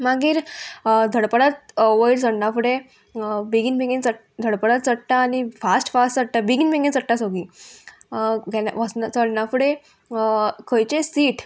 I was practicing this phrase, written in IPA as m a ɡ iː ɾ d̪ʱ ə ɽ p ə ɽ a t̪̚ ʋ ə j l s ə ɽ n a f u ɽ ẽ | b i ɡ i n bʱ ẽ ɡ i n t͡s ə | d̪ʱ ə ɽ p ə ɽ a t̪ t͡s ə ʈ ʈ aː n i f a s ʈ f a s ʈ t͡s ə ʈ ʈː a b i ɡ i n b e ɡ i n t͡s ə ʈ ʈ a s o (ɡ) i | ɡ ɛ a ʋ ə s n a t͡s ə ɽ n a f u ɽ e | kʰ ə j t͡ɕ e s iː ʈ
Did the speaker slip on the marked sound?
no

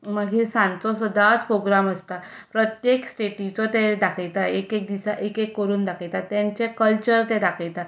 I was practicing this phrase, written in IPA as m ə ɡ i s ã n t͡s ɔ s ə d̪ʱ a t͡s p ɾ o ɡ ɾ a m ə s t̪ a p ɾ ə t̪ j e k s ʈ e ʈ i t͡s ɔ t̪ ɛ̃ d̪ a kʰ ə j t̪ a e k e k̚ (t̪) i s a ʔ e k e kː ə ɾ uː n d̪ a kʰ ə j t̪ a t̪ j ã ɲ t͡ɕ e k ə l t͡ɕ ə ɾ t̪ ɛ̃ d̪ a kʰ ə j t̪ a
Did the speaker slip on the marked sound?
yes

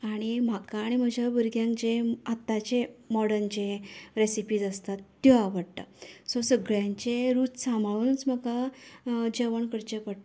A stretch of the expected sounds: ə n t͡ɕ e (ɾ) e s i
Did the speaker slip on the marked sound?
no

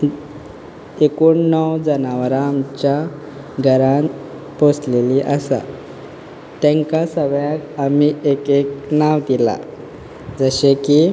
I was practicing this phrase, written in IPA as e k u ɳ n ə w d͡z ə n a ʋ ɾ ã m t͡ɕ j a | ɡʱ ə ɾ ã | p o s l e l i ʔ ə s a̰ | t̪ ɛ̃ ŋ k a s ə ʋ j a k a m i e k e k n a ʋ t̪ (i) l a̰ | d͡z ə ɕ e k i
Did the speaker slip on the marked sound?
no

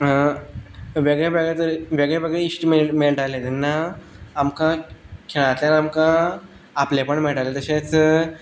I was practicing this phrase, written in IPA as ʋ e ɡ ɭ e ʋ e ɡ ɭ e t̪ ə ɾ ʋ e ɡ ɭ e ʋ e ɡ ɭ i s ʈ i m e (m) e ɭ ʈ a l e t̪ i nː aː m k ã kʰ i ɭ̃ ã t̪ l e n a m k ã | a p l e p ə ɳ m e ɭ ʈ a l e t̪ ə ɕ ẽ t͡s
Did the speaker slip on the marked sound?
no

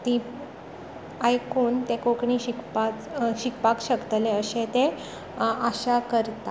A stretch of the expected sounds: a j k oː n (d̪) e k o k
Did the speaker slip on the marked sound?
yes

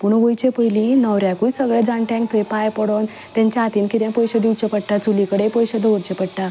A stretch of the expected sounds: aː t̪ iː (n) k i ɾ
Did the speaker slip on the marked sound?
no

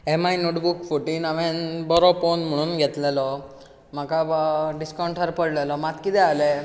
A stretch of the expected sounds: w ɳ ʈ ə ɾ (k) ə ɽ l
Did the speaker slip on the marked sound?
yes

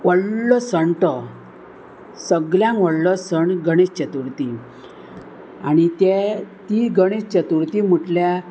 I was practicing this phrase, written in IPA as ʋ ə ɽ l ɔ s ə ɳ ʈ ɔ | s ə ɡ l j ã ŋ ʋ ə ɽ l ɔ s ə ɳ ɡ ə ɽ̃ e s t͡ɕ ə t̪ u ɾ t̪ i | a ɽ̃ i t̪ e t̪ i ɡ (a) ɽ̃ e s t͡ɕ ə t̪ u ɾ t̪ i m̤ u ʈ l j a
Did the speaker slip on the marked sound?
yes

